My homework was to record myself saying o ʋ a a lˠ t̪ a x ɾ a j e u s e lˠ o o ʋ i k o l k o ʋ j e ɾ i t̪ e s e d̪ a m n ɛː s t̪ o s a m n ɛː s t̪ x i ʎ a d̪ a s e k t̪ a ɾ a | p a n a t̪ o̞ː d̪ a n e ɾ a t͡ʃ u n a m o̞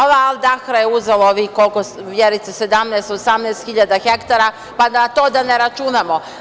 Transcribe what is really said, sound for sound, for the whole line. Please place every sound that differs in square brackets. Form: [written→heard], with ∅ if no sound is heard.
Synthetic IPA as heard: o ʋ a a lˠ [t̪→d̪] a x ɾ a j e u [s→z] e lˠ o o ʋ i k o l k o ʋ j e ɾ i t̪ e s e d̪ a m n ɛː s t̪ o s a m n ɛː s t̪ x i ʎ a d̪ a [s→x] e k t̪ a ɾ a | p a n a t̪ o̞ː d̪ a n e ɾ a t͡ʃ u n a m o̞